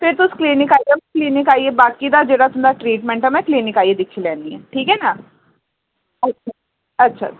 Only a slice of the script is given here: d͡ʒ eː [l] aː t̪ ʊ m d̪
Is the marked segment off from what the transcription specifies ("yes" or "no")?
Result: yes